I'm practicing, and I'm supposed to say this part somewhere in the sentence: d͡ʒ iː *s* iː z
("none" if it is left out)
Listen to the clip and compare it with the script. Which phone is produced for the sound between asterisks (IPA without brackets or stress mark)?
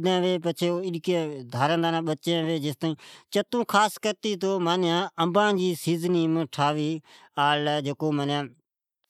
s